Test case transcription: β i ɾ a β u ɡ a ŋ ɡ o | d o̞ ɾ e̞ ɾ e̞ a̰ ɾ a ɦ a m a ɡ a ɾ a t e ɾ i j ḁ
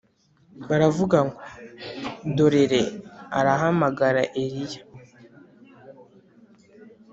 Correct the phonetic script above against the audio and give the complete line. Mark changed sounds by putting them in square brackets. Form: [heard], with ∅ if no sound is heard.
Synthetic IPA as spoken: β [a] ɾ a [v] u ɡ a ŋ ɡ o | d o̞ ɾ e̞ ɾ e̞ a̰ ɾ a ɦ a m a ɡ a ɾ a [ʔ] e ɾ i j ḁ